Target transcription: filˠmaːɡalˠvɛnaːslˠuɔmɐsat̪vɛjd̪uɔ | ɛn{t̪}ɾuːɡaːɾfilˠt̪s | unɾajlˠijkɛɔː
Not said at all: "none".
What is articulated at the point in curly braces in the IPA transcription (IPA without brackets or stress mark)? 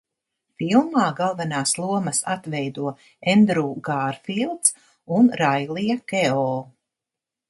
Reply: d̪